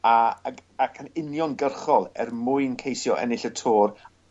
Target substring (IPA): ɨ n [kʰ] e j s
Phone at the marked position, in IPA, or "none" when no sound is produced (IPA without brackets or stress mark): kʰ